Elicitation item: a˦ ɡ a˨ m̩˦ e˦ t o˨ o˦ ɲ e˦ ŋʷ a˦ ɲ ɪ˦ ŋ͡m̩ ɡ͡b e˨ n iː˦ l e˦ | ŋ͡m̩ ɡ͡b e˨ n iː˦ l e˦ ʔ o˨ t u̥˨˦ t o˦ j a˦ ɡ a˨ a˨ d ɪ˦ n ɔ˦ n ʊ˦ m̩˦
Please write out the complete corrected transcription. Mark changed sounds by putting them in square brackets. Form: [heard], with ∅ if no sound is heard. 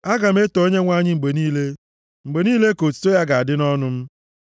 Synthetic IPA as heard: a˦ ɡ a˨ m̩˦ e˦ t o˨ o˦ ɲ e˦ ŋʷ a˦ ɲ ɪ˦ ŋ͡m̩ ɡ͡b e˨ n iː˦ l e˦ | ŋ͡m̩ ɡ͡b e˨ n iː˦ l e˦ [k] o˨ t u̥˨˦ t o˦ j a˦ ɡ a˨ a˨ d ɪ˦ n ɔ˦ n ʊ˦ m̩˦

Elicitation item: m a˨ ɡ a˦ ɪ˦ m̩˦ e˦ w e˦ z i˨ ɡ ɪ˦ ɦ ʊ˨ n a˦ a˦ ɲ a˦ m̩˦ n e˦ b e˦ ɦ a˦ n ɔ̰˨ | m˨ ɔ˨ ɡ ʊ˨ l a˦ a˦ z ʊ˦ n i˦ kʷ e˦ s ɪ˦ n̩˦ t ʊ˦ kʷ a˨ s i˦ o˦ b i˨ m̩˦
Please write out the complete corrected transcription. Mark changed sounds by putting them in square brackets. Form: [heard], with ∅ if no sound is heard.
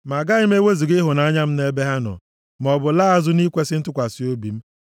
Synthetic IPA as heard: m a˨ ɡ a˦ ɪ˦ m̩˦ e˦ w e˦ z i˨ ɡ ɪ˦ ɦ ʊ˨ n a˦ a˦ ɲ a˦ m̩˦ n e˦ b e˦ ɦ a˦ n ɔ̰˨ | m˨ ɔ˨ [b] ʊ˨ l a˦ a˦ z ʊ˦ n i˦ kʷ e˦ s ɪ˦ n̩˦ t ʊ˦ kʷ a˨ s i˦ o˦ b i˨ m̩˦

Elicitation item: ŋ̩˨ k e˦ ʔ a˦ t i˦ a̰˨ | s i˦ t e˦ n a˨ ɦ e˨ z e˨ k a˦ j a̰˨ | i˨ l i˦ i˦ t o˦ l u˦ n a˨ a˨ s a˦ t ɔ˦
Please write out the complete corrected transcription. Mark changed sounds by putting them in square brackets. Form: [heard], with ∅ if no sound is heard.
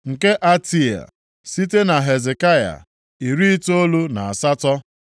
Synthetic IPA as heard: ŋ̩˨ k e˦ ʔ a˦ t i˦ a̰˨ | s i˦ t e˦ n a˨ ɦ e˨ z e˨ k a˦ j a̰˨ | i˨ [ɾ] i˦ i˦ t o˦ l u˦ n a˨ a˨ s a˦ t ɔ˦

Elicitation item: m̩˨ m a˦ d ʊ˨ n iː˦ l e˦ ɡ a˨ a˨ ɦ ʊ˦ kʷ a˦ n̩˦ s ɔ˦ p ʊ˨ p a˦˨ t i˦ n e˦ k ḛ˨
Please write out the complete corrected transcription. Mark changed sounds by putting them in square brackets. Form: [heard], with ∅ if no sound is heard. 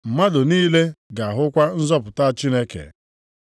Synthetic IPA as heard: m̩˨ m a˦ d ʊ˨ n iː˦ l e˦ ɡ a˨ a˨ ɦ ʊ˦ kʷ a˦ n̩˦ [z] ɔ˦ p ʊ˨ [t] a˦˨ [t͡ʃ] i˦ n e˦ k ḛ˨

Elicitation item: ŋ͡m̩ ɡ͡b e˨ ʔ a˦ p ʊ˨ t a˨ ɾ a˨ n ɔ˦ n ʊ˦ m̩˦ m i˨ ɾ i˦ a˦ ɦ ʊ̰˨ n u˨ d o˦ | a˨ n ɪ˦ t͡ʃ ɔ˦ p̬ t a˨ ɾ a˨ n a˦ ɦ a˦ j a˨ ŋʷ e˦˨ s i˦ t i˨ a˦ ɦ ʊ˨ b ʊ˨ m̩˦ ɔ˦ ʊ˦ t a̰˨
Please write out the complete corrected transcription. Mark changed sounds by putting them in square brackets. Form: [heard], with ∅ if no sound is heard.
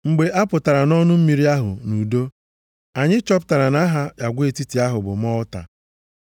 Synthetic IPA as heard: ŋ͡m̩ ɡ͡b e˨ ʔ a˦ p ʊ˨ t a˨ ɾ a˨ n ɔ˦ n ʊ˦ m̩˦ m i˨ ɾ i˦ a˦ ɦ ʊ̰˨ n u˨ d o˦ | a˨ [ɲ] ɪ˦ t͡ʃ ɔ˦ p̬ t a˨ ɾ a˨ n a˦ ɦ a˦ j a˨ [ɡʷ] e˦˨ [t] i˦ t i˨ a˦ ɦ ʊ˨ b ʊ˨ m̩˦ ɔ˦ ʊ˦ t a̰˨

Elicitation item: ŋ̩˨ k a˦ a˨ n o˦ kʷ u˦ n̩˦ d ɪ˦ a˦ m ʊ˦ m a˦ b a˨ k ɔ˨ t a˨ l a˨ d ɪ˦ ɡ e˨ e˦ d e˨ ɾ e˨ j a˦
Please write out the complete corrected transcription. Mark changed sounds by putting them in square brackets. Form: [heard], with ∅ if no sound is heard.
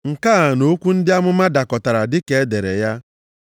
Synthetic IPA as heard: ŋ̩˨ k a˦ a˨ n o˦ kʷ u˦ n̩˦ d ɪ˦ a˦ m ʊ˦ m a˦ [d] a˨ k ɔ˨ t a˨ [ɾ] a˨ d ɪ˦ [k] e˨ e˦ d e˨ ɾ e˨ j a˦

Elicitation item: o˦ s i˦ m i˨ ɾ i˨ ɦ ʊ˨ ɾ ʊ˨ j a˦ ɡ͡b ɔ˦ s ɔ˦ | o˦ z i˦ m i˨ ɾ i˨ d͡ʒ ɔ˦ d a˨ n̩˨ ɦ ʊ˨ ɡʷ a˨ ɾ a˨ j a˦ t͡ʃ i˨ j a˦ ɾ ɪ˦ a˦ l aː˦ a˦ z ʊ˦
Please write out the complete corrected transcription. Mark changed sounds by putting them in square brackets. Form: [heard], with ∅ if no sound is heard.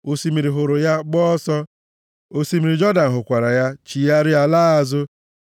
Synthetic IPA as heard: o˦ s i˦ m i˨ ɾ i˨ ɦ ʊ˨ ɾ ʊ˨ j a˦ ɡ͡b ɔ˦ s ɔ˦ | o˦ [s] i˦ m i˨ ɾ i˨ d͡ʒ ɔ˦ d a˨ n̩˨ ɦ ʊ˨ [kʷ] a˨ ɾ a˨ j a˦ t͡ʃ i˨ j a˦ ɾ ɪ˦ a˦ l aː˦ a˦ z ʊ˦

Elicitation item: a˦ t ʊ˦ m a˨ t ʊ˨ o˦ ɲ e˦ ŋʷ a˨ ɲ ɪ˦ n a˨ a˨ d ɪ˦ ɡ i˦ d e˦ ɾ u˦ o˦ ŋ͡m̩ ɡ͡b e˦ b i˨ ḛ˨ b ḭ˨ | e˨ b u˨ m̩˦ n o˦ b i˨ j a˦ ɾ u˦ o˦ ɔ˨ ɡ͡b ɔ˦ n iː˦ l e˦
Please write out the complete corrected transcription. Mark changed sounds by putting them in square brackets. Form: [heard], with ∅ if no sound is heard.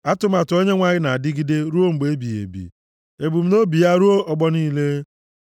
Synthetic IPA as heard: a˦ t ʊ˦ m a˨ t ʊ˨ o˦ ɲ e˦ ŋʷ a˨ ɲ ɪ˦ n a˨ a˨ d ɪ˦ ɡ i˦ d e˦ ɾ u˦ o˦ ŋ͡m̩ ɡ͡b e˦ b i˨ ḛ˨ b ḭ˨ | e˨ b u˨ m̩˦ n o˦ b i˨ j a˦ ɾ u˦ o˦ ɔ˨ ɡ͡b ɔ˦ n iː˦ l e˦

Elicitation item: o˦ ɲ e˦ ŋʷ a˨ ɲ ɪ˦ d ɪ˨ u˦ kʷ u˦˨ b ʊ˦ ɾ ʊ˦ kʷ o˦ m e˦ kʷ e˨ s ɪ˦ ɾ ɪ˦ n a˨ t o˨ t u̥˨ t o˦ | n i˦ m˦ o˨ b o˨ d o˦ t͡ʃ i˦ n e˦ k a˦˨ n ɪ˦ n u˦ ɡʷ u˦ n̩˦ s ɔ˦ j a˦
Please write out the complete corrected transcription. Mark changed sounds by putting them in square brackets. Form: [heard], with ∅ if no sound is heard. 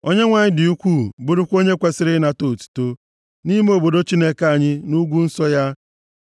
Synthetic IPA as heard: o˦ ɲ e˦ ŋʷ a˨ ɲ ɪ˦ d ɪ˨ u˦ kʷ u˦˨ b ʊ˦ ɾ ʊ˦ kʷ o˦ [ɲ] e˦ kʷ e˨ s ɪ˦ ɾ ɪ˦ n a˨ t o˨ t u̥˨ t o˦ | n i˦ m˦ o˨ b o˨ d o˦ t͡ʃ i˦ n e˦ k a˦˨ [ɲ] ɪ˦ n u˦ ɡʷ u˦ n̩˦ s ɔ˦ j a˦

